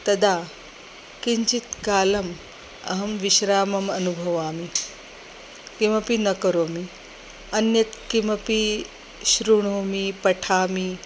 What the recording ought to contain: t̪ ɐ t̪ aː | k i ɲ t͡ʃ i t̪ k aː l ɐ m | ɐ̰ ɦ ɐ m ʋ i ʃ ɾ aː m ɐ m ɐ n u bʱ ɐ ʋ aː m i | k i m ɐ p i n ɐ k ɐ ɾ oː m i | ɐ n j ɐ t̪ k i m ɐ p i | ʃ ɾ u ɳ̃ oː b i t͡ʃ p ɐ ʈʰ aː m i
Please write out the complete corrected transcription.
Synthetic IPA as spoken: t̪ ɐ d̪ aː | k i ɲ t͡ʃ i t̪ k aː l ɐ m | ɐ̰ ɦ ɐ m ʋ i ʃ ɾ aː m ɐ m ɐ n u bʱ ɐ ʋ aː m i | k i m ɐ p i n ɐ k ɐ ɾ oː m i | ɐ n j ɐ t̪ k i m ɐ p i | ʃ ɾ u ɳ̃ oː m i p ɐ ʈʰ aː m i